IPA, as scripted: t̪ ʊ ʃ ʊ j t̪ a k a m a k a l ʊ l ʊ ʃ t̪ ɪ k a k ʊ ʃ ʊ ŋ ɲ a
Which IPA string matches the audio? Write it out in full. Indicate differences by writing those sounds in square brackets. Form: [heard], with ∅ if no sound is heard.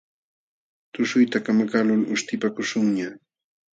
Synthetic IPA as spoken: t̪ ʊ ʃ ʊ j t̪ a k a m a k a l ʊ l ʊ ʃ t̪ ɪ [p] a k ʊ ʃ ʊ ŋ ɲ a